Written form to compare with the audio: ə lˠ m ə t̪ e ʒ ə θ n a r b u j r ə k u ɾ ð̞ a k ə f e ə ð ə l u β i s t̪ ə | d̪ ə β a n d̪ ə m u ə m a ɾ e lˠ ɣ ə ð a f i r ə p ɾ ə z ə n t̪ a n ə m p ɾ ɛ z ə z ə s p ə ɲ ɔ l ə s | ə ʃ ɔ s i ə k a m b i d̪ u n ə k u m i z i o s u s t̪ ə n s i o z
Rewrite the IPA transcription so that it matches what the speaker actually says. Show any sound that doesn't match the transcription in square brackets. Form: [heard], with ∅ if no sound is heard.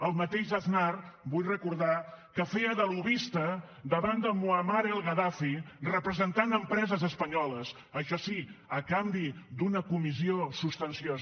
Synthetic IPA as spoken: ə lˠ m ə t̪ e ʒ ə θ n a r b u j r ə k u ɾ ð̞ a k ə f e ə ð ə l u β i s t̪ ə | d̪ ə β a n d̪ ə m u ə m a ɾ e lˠ ɣ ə ð a f i r ə p ɾ ə z ə n t̪ a n ə m p ɾ ɛ z ə z ə s p ə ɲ ɔ l ə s | ə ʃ ɔ s i ə k a m b i d̪ u n ə k u m i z i o s u s t̪ ə n s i o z